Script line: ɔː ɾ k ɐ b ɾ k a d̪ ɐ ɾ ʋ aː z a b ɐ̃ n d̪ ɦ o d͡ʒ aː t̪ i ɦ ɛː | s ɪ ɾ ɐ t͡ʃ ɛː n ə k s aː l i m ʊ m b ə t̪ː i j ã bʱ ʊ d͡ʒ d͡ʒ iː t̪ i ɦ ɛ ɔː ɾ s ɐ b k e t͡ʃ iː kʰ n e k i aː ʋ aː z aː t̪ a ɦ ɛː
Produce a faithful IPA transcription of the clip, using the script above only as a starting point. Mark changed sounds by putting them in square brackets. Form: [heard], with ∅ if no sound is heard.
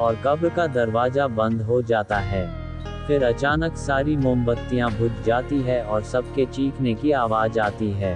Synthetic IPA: ɔː ɾ k ɐ b ɾ k a d̪ ɐ ɾ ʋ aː z a b ɐ̃ n d̪ ɦ o d͡ʒ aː t̪ [a] ɦ ɛː | [f] ɪ ɾ ɐ t͡ʃ [aː] n ə k s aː [ɾ] i m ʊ m b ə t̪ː i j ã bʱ ʊ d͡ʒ d͡ʒ [aː] t̪ i ɦ ɛ ɔː ɾ s ɐ b k e t͡ʃ iː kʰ n e k i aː ʋ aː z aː t̪ [i] ɦ ɛː